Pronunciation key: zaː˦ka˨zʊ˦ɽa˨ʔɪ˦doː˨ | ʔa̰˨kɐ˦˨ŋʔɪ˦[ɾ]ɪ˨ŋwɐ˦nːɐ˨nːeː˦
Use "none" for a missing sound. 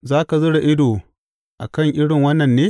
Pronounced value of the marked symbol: ɽ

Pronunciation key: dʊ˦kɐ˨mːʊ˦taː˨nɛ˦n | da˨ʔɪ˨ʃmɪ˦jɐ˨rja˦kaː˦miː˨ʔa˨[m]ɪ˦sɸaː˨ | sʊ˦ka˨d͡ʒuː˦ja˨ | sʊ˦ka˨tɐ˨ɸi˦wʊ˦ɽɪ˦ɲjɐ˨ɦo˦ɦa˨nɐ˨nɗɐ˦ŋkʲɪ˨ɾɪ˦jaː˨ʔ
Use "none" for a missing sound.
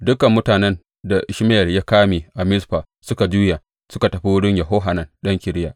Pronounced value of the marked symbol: m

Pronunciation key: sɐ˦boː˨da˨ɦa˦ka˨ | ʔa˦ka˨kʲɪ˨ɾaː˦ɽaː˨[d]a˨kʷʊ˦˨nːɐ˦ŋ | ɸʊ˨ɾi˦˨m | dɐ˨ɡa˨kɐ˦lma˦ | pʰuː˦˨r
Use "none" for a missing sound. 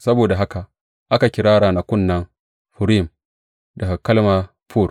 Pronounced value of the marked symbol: n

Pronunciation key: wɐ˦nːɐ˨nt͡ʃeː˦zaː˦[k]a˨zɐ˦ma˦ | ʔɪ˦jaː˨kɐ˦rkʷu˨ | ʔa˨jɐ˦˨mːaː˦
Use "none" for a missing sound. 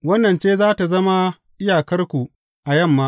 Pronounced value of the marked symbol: t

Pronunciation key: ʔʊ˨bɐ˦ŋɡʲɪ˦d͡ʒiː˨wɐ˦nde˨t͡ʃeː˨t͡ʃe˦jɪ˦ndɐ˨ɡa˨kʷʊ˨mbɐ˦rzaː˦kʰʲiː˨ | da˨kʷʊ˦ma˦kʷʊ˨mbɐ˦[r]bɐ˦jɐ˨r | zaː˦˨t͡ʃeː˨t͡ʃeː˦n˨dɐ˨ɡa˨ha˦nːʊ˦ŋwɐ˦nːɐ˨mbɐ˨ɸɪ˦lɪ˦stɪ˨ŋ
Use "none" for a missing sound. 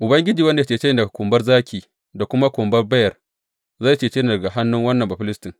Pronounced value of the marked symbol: r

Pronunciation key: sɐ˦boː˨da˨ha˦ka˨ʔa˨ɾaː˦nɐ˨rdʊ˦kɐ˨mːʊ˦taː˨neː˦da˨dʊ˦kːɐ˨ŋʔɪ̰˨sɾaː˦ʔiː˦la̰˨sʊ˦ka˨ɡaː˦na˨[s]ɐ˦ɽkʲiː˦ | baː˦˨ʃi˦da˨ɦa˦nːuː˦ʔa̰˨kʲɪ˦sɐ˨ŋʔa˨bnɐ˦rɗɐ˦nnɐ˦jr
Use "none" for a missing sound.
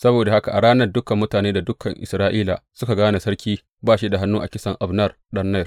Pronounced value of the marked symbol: s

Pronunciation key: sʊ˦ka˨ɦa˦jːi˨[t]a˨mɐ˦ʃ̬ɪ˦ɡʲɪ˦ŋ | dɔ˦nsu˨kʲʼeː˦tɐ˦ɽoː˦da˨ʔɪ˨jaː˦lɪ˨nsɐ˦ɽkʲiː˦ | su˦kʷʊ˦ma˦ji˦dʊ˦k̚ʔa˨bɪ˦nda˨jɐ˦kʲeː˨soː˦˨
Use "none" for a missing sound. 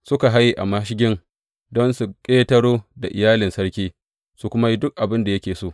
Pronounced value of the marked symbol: ʔ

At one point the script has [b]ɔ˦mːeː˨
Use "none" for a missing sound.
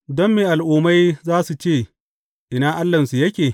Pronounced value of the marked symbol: d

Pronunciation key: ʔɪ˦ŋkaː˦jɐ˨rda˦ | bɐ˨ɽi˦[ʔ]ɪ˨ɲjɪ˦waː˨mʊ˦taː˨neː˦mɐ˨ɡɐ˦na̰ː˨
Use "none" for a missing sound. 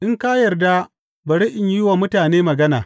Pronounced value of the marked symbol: ʔ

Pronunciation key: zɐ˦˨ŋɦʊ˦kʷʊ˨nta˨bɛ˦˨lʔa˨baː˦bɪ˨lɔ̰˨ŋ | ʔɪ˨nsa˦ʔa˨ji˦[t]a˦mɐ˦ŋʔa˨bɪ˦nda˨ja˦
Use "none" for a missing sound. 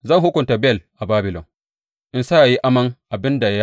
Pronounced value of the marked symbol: ʔ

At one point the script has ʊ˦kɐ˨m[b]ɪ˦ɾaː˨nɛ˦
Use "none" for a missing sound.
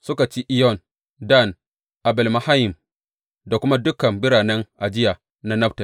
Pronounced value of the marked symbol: b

